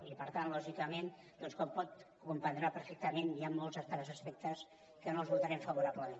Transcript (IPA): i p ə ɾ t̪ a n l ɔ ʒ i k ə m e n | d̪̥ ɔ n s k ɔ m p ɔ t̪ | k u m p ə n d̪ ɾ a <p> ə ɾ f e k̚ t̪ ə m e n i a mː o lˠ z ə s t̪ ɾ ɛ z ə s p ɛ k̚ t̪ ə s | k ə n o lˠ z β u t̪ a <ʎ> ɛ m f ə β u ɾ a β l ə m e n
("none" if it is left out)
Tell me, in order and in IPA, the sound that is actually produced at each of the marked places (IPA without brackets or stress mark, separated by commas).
p, ɾ